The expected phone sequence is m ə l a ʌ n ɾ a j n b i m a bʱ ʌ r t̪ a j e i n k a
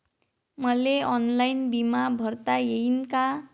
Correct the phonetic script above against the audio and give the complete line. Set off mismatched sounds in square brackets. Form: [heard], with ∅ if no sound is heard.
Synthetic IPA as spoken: m [ʌ] l [e] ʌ n [l] a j n b i m a bʱ ʌ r t̪ a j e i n k a